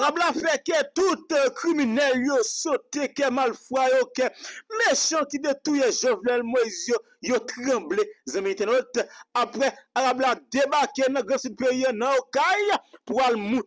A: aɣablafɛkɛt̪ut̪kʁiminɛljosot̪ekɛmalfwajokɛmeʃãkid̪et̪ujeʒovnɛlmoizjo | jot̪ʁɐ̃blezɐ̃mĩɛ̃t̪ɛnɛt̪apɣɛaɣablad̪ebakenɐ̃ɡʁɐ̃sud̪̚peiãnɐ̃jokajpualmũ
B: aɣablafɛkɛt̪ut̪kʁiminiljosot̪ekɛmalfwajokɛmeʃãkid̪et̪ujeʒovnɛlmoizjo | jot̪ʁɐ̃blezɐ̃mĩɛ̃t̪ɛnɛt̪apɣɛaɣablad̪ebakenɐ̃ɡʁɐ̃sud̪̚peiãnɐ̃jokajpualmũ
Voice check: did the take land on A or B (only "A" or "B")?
A